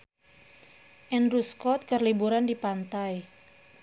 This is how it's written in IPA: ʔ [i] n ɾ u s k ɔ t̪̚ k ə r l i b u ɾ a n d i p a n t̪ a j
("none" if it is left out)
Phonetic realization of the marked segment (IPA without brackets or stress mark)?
ɛ